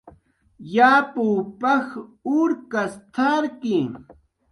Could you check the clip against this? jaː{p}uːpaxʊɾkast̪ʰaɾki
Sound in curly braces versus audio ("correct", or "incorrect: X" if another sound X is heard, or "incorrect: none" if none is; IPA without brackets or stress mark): correct